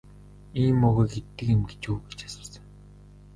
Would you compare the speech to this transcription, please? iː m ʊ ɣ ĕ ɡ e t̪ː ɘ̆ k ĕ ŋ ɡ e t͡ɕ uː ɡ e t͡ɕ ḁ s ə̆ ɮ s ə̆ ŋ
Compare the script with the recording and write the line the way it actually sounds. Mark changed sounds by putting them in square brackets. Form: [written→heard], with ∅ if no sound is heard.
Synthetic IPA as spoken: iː m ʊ ɣ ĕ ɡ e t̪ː ɘ̆ k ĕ [ŋ→m] ɡ e t͡ɕ uː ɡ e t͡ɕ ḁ s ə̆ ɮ s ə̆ ŋ

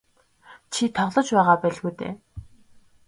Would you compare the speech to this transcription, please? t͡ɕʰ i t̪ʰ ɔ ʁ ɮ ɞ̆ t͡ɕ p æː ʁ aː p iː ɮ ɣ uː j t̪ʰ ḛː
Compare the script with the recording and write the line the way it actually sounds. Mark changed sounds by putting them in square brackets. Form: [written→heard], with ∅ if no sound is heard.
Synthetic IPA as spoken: t͡ɕʰ i t̪ʰ ɔ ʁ ɮ ɞ̆ t͡ɕ p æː ʁ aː p [iː→æː] ɮ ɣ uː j [t̪ʰ→t̪] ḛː

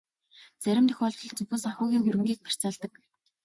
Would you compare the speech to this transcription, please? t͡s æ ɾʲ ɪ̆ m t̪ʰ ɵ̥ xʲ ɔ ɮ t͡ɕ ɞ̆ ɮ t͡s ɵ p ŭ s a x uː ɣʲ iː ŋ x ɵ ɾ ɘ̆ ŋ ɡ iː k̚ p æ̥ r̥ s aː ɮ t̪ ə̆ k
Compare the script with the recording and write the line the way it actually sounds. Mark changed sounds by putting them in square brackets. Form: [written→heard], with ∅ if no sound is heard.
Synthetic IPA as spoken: t͡s æ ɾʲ ɪ̆ m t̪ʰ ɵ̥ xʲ ɔ ɮ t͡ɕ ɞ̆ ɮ t͡s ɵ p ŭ s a x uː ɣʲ iː ŋ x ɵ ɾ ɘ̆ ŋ ɡ iː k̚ p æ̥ r̥ [s→t͡s] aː ɮ t̪ ə̆ k

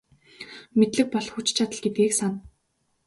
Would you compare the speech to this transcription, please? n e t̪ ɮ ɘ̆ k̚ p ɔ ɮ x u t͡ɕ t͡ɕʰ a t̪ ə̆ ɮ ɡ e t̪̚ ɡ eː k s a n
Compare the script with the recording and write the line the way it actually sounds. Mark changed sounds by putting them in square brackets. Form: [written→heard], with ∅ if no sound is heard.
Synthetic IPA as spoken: [n→m] e t̪ ɮ ɘ̆ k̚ p ɔ ɮ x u t͡ɕ t͡ɕʰ a t̪ ə̆ ɮ ɡ e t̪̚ ɡ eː k s a n

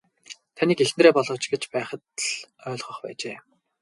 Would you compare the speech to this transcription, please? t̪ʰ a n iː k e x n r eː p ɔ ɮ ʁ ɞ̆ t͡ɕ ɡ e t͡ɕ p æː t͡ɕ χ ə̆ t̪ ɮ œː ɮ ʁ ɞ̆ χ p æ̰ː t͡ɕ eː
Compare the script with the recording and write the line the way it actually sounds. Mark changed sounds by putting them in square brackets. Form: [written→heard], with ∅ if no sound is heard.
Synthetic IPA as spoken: t̪ʰ a n iː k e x n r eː p ɔ ɮ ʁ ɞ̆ t͡ɕ ɡ e t͡ɕ p æː [t͡ɕ→∅] χ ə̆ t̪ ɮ œː ɮ ʁ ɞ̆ χ p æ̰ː t͡ɕ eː

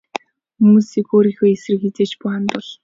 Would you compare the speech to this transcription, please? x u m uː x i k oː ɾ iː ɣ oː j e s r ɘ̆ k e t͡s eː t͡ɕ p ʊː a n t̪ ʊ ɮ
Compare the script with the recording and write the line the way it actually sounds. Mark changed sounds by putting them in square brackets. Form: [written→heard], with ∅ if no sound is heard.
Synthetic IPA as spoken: x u m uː [x→s] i k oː ɾ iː [ɣ→x] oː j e s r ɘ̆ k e t͡s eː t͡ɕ p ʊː a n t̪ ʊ ɮ

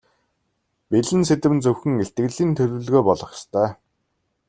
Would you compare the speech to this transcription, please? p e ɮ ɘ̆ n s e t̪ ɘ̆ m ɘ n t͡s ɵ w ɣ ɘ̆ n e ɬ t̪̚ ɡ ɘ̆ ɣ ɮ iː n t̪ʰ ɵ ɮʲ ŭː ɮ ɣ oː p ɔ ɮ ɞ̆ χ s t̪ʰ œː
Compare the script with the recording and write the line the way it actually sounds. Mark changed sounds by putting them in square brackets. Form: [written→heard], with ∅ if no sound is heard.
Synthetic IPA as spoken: p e ɮ ɘ̆ n s e t̪ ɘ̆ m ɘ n t͡s ɵ w [ɣ→x] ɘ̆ [n→ŋ] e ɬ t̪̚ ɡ ɘ̆ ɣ ɮ iː n t̪ʰ ɵ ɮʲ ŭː ɮ ɣ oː p ɔ ɮ ɞ̆ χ s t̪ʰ œː

